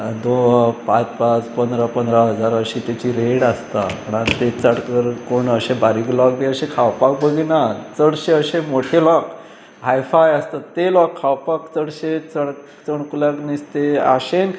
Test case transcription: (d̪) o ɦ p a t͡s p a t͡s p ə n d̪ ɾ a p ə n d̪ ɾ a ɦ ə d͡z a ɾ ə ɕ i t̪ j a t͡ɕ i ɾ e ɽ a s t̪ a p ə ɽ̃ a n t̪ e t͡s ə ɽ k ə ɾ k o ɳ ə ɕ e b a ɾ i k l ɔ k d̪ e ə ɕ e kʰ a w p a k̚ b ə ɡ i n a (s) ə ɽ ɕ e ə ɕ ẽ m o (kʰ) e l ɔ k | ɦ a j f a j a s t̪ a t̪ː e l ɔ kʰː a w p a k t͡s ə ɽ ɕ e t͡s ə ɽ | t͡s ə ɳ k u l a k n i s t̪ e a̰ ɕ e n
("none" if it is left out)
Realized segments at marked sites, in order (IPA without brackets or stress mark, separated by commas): d̪, t͡s, ʈʰ